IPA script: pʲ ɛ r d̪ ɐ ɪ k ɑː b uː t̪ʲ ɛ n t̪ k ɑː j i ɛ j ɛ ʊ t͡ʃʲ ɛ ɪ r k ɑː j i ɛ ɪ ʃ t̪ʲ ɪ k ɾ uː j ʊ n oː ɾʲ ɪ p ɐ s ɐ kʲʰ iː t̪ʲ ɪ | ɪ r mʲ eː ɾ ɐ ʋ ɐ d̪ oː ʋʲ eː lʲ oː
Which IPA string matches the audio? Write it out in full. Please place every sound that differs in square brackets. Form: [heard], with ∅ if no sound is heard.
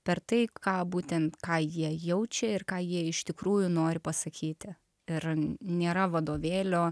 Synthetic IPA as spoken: pʲ ɛ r [t̪] ɐ ɪ k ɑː b uː t̪ʲ ɛ n t̪ k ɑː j i ɛ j ɛ ʊ t͡ʃʲ ɛ ɪ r k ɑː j i ɛ ɪ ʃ t̪ʲ ɪ k ɾ uː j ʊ n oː ɾʲ ɪ p ɐ s ɐ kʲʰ iː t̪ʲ ɪ | ɪ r [nʲ] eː ɾ ɐ ʋ ɐ d̪ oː ʋʲ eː lʲ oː